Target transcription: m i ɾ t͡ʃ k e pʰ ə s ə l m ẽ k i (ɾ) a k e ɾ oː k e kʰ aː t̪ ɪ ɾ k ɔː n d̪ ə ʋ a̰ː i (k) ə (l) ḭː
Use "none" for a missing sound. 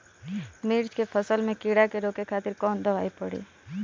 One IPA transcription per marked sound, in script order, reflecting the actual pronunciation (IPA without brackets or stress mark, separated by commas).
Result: ɽ, p, ɽ